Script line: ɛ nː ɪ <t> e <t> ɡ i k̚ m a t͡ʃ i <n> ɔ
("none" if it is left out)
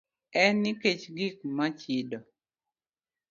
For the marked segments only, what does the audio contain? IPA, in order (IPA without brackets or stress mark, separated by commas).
k, t͡ʃ, d